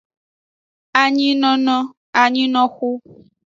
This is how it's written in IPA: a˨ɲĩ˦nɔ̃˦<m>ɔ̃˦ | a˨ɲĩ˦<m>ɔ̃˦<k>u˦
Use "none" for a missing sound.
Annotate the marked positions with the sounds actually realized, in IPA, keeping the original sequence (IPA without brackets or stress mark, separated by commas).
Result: n, n, x